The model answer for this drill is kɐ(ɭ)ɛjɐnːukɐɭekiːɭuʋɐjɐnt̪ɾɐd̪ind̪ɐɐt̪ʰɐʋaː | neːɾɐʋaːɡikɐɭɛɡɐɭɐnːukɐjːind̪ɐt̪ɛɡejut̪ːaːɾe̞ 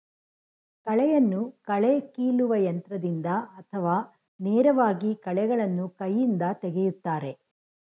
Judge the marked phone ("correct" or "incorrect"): correct